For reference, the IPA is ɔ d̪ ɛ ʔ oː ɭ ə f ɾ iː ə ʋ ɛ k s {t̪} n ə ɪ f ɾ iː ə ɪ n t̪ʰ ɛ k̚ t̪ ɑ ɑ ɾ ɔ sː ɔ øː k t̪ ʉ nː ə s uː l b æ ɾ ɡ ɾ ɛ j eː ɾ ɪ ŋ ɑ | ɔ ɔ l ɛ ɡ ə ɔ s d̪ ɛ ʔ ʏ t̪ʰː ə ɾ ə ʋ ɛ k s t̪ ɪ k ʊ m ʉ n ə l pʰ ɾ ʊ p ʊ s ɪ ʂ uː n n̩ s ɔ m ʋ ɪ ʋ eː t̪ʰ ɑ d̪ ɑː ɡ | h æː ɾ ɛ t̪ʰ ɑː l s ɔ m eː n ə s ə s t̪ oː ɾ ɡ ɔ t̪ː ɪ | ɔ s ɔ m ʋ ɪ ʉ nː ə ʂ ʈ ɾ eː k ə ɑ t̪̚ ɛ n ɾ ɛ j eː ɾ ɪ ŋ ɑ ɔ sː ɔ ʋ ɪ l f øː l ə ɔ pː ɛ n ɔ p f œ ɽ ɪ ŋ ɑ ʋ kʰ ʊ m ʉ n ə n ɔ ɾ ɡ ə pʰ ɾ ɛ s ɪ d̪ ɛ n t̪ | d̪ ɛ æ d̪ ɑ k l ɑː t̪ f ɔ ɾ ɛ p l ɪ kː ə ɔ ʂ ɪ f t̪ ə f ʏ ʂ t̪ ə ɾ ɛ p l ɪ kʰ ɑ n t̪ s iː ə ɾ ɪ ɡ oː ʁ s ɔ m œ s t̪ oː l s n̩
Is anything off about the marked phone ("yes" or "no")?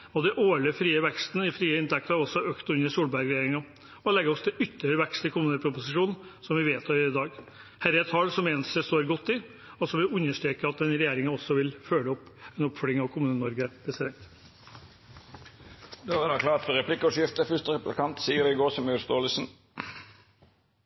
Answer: no